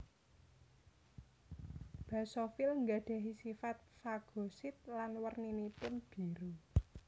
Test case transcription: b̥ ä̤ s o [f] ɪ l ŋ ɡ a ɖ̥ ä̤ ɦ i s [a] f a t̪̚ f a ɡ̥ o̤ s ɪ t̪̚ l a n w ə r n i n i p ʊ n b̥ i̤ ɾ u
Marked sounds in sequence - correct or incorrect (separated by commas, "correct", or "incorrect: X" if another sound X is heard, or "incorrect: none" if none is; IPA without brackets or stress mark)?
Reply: correct, incorrect: i